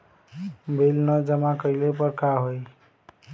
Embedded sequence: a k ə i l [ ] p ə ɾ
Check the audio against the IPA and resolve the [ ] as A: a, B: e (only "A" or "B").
B